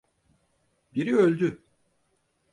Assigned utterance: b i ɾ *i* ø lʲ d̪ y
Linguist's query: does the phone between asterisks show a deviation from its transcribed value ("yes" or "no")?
no